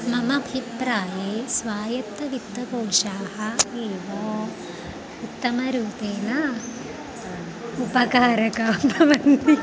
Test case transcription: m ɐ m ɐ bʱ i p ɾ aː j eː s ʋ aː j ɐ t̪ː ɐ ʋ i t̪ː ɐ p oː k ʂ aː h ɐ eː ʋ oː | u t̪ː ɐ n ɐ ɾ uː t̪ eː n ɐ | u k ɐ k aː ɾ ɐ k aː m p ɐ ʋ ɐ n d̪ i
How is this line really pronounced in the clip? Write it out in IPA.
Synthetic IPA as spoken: m ɐ m ɐ bʱ i p ɾ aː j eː s ʋ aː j ɐ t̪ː ɐ ʋ i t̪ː ɐ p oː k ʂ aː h ɐ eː ʋ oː | u t̪ː ɐ m ɐ ɾ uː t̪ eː n ɐ | u p ɐ k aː ɾ ɐ k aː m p ɐ ʋ ɐ n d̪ i

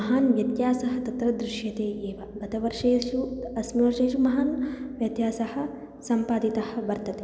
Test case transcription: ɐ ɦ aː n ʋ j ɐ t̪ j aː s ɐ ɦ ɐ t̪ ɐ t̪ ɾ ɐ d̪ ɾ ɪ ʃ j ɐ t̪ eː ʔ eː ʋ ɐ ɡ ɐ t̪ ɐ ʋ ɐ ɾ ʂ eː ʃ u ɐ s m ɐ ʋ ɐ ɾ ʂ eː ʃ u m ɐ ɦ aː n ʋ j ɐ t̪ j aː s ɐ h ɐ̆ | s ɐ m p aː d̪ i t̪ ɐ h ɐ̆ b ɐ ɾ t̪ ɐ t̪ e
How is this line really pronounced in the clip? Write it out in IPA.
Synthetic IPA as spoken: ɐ ɦ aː n ʋ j ɐ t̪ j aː s ɐ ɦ ɐ t̪ ɐ t̪ ɾ ɐ d̪ ɾ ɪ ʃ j ɐ t̪ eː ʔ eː ʋ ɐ ɡ ɐ t̪ ɐ ʋ ɐ ɾ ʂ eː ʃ u ɐ s m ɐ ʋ ɐ ɾ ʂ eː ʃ u m ɐ ɦ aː n ʋ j ɐ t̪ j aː s ɐ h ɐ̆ | s ɐ m p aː d̪ i t̪ ɐ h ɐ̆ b ɐ ɾ t̪ ɐ t̪ e

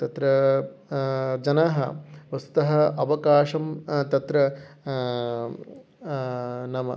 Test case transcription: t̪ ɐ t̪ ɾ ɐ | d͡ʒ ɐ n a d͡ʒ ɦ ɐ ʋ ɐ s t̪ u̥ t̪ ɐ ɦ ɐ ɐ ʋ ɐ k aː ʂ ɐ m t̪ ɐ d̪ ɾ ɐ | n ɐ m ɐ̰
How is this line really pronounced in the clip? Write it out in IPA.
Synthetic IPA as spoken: t̪ ɐ t̪ ɾ ɐ | d͡ʒ ɐ n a ɦ ɐ ʋ ɐ s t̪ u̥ t̪ ɐ ɦ ɐ ɐ ʋ ɐ k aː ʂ ɐ m t̪ ɐ t̪ ɾ ɐ | n ɐ m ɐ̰

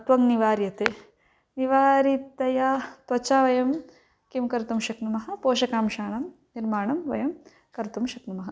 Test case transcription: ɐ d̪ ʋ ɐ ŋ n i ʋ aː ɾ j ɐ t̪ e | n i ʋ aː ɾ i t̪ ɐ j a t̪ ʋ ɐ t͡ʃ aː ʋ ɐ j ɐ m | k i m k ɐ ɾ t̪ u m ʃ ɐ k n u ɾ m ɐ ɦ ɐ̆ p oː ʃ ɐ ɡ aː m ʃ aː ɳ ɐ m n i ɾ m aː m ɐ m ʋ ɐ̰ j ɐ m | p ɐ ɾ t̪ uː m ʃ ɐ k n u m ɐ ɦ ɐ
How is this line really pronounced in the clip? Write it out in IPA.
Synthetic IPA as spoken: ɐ t̪ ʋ ɐ ŋ n i ʋ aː ɾ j ɐ t̪ e | n i ʋ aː ɾ i t̪ ɐ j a t̪ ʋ ɐ t͡ʃ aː ʋ ɐ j ɐ m | k i m k ɐ ɾ t̪ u m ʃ ɐ k n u m ɐ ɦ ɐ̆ p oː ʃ ɐ k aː m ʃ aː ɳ ɐ m n i ɾ m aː ɳ ɐ m ʋ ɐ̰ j ɐ m | k ɐ ɾ t̪ u m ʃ ɐ k n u m ɐ ɦ ɐ

